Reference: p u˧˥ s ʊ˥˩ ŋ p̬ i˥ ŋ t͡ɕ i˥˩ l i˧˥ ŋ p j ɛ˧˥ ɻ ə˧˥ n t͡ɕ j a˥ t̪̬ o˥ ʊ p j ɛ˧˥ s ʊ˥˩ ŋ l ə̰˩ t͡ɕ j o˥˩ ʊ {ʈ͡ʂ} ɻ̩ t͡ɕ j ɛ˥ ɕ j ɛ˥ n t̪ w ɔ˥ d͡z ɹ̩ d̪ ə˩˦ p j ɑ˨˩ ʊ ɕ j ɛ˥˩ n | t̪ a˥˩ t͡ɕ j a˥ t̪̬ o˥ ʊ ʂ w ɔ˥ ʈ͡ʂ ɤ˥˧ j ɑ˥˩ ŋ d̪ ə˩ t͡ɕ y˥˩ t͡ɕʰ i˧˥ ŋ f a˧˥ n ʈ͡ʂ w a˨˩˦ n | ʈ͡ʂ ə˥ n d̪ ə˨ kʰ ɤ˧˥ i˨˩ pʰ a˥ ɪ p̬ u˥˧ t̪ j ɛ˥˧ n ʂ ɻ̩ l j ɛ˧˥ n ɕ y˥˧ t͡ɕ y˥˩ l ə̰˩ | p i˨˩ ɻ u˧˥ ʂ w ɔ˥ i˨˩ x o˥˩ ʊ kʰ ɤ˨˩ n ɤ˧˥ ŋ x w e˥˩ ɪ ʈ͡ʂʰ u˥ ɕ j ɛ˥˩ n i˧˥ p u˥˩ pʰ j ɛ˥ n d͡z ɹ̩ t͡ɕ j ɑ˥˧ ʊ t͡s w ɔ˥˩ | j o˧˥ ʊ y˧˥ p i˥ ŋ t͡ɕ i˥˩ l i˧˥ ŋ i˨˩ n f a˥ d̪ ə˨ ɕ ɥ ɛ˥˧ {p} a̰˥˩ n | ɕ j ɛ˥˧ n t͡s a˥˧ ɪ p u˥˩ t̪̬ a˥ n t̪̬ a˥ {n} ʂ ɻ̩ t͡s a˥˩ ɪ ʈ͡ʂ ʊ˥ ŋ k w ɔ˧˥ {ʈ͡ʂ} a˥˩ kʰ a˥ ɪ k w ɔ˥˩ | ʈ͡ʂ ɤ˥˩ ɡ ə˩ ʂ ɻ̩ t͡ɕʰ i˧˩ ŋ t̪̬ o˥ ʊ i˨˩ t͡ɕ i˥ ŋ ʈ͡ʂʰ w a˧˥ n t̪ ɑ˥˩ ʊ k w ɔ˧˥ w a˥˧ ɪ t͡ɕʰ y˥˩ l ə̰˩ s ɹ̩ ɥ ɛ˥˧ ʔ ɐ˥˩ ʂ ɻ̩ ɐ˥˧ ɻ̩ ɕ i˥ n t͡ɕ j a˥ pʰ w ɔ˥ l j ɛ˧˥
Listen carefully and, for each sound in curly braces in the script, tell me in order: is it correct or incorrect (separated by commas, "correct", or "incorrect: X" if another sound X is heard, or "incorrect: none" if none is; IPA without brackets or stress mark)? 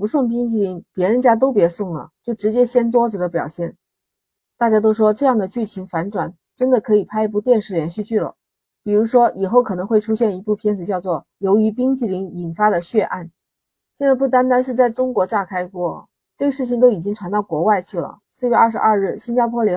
correct, incorrect: ʔ, correct, correct